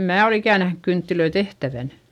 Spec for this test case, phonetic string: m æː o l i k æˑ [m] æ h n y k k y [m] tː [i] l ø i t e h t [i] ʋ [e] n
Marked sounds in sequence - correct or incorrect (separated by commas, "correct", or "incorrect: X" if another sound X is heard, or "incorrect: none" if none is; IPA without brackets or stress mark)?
incorrect: n, incorrect: n, correct, incorrect: æ, incorrect: æ